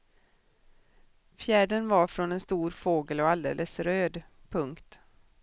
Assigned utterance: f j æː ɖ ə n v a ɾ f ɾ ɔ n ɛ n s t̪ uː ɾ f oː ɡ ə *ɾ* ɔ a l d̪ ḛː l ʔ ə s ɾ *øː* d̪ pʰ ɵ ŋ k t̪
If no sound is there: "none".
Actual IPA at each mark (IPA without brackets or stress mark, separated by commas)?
l, øː